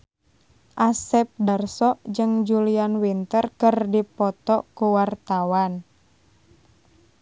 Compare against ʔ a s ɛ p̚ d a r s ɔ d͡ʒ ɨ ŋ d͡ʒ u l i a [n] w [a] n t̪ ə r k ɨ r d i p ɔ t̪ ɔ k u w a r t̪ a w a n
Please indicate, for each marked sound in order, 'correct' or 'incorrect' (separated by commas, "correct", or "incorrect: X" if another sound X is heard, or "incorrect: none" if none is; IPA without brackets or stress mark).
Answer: correct, incorrect: i